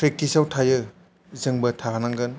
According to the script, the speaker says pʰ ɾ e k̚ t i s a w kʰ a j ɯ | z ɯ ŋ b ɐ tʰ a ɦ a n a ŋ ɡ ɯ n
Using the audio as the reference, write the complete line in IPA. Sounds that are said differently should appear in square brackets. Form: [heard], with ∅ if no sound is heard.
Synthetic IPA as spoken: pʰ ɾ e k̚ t i s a w [tʰ] a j ɯ | z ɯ ŋ b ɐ tʰ a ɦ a n a ŋ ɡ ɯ n